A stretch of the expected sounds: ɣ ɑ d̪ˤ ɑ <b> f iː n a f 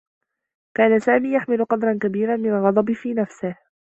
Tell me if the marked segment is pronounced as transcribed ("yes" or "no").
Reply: yes